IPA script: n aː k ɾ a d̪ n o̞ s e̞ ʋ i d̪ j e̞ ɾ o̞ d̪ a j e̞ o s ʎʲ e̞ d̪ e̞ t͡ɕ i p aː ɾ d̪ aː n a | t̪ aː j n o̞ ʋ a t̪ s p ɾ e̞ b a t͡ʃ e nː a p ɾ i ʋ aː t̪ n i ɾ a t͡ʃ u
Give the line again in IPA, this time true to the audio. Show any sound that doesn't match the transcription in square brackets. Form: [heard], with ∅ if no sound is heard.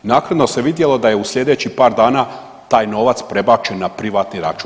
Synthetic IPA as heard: n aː k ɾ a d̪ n o̞ s e̞ ʋ i d̪ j e̞ [l] o̞ d̪ a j e̞ [u] s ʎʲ e̞ d̪ e̞ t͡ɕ i p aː ɾ d̪ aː n a | t̪ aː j n o̞ ʋ a t̪ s p ɾ e̞ b a t͡ʃ e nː a p ɾ i ʋ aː t̪ n i ɾ a t͡ʃ u